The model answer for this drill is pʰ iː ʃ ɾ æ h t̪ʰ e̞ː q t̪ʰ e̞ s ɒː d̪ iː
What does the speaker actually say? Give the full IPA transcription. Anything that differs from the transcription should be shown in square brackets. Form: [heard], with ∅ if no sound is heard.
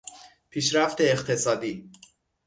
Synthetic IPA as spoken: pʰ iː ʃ ɾ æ [f] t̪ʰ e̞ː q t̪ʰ e̞ s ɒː d̪ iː